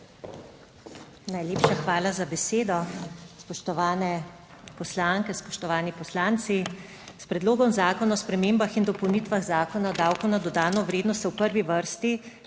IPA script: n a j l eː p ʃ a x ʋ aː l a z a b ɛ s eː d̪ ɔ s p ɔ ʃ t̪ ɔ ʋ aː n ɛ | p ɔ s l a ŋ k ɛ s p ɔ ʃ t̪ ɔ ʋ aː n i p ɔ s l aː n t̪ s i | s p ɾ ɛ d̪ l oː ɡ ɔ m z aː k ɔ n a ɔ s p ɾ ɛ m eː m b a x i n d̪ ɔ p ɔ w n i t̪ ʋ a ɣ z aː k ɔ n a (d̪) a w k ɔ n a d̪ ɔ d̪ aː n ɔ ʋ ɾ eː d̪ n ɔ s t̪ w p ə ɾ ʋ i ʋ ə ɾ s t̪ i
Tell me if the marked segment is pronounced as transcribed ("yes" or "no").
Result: yes